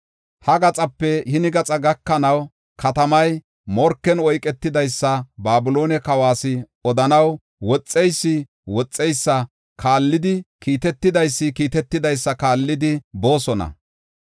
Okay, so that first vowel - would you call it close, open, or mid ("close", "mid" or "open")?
open